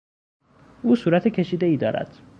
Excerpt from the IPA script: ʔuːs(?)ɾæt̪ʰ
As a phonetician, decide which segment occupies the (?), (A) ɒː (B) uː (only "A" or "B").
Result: B